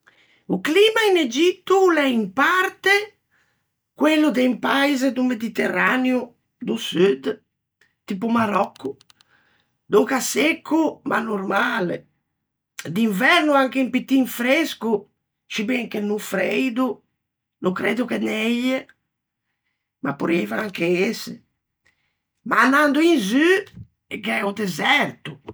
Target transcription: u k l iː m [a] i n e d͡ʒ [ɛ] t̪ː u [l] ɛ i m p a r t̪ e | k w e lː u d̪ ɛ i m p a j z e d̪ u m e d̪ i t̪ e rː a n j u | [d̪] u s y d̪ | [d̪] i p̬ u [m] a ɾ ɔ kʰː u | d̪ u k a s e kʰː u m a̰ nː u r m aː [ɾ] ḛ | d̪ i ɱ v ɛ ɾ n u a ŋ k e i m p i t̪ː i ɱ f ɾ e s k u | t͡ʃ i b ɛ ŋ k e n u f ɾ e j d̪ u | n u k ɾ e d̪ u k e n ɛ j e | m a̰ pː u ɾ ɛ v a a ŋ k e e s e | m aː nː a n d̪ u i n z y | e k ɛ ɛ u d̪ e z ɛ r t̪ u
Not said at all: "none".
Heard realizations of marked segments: a, i, l, d̪, t̪, m, l

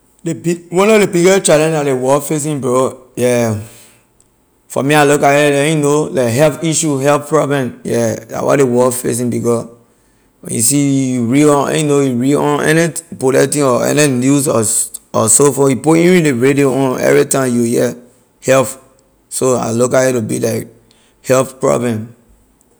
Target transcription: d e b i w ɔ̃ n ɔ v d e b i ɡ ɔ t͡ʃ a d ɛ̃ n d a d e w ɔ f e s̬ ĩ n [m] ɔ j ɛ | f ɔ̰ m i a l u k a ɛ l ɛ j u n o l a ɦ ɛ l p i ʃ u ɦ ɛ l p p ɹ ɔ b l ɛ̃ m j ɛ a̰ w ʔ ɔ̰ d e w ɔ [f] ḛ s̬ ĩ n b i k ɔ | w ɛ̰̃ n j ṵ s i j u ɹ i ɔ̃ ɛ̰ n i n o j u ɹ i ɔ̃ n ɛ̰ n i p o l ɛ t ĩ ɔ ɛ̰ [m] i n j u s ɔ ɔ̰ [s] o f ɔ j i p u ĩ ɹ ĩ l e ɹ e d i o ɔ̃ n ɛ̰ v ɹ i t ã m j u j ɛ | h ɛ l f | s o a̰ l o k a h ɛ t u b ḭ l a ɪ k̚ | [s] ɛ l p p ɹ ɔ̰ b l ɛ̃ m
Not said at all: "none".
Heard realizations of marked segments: b, f, n, s, h

